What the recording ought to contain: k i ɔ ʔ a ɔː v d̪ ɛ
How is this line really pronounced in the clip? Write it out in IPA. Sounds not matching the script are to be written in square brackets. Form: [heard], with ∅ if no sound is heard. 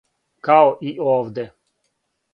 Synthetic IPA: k [a] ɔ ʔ [i] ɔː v d̪ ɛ